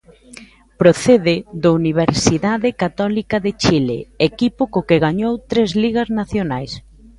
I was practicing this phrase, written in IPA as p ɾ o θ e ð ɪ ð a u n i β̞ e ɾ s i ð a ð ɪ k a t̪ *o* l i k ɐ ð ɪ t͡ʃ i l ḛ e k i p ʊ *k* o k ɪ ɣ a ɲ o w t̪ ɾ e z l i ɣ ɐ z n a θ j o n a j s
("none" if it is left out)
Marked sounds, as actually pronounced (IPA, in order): ɔ, k

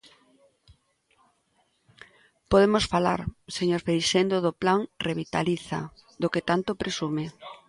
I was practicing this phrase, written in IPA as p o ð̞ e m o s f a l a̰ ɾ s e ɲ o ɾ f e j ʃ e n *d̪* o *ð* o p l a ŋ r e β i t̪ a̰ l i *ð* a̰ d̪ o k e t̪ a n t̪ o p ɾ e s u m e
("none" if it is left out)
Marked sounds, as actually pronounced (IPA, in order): d̪, ð, θ

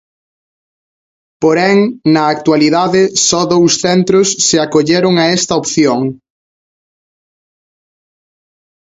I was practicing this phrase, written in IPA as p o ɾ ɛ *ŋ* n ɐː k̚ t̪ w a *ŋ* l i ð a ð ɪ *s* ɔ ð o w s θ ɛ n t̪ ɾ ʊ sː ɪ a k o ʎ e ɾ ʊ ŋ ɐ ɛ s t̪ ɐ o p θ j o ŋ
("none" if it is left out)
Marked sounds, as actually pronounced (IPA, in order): ŋ, none, s

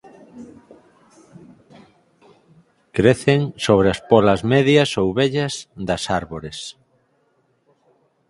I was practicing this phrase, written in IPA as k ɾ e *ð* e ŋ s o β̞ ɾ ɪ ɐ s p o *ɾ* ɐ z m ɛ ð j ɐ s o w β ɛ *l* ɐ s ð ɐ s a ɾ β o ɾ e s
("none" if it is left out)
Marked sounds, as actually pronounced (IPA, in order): θ, l, ʎ

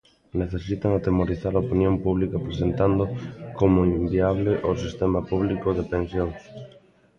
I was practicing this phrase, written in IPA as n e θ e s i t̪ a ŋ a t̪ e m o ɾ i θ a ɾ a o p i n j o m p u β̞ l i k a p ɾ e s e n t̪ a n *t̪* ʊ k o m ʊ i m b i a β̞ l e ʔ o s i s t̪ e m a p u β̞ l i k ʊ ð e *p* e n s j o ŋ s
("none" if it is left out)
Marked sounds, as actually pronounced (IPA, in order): d̪, p

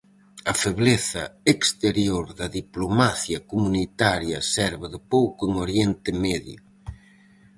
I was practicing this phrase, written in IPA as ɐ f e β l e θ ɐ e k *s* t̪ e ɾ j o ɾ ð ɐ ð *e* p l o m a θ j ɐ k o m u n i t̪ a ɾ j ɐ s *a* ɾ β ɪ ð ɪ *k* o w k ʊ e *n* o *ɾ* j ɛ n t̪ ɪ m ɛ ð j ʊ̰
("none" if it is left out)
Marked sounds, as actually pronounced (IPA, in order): s, i, ɛ, p, ŋ, ɾ

